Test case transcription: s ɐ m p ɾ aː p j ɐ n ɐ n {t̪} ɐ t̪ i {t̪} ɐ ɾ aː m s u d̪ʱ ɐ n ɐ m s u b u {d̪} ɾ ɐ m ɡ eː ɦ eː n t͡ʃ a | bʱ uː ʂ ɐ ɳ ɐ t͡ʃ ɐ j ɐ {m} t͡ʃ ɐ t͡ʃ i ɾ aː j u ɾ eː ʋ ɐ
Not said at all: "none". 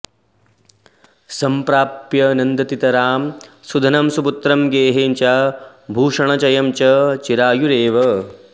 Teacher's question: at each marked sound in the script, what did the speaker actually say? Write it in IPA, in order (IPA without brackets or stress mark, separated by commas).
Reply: d̪, t̪, t̪, m